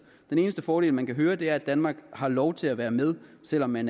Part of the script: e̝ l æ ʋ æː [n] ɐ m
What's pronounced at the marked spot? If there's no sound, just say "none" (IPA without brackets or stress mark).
none